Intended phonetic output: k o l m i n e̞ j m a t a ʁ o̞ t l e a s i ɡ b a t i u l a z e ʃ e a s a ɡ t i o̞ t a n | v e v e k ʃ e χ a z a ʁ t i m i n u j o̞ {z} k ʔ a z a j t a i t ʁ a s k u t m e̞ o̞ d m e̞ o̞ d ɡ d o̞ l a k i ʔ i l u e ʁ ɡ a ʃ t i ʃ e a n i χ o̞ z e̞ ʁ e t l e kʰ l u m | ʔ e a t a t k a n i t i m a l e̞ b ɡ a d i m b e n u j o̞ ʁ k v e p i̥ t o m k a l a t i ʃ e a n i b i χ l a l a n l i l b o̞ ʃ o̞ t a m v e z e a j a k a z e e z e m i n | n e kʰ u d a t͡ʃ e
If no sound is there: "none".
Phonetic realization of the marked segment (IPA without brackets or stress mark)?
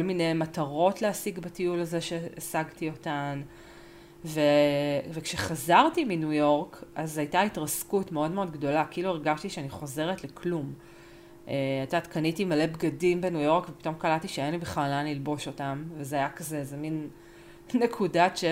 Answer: ʁ